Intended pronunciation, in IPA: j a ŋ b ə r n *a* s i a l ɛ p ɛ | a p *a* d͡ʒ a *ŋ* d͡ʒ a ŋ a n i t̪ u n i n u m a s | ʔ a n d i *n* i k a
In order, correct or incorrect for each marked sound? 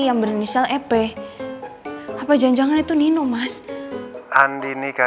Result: incorrect: i, correct, incorrect: ɲ, correct

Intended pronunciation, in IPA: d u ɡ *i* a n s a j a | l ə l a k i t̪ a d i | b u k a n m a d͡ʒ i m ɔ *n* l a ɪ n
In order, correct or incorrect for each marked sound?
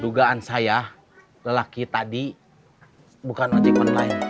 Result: incorrect: a, correct

